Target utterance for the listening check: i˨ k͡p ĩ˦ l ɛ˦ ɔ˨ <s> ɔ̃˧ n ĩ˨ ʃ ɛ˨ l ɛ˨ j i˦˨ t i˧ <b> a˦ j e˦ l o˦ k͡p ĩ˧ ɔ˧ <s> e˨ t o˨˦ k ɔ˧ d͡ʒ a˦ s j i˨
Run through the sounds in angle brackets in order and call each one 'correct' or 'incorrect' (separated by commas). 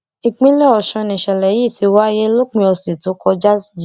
incorrect, incorrect, correct